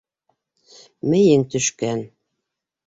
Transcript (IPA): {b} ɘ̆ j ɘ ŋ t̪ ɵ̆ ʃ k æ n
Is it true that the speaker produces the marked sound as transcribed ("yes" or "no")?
no